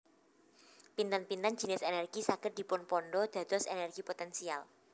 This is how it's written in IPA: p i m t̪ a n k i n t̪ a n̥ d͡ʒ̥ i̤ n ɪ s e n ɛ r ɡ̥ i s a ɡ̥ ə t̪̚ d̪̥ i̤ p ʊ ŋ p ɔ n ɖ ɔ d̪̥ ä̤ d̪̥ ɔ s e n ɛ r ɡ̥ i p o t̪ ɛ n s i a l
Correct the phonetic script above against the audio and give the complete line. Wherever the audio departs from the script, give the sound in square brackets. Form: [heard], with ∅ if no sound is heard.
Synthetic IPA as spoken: p i [n] t̪ a n [p] i n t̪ a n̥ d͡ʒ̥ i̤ n ɪ s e n ɛ r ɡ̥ i s a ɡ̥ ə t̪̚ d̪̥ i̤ p ʊ [n] p ɔ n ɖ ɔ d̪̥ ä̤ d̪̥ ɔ s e n ɛ r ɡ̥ i p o t̪ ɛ n s i a l